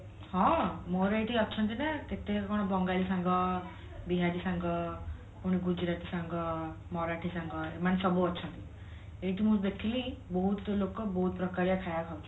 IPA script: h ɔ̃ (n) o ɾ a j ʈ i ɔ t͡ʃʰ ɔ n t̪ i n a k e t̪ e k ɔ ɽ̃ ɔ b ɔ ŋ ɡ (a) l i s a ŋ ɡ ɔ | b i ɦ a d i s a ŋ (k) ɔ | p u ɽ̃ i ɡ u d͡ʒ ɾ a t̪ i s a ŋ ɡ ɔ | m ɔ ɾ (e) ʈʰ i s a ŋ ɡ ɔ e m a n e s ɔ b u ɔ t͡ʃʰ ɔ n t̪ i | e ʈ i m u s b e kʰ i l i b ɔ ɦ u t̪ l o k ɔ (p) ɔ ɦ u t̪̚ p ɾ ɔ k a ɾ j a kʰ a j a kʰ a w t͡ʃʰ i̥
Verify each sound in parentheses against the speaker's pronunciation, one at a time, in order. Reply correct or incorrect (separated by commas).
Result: incorrect, correct, incorrect, incorrect, incorrect